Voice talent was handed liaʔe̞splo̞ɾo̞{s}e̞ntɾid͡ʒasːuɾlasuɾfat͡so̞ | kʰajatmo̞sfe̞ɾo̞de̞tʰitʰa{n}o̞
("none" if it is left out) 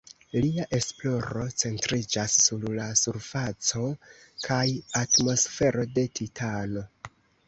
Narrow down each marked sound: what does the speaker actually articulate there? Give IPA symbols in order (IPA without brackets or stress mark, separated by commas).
t͡s, n